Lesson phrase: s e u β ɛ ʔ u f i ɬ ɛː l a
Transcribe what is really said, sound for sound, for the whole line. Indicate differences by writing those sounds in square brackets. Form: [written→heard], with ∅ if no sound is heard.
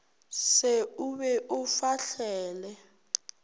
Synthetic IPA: s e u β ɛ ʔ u f [i→a] ɬ ɛː l [a→ɛ]